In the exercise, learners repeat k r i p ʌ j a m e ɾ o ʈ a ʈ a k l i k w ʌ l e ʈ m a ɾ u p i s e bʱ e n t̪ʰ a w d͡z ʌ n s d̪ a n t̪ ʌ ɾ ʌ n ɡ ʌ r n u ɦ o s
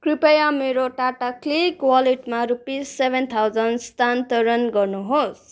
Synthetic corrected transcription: k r i p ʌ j a m e ɾ o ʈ a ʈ a k l i k w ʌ l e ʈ m a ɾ u p i s e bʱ e n t̪ʰ a w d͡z ʌ n s t̪ a n t̪ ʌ ɾ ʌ n ɡ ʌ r n u ɦ o s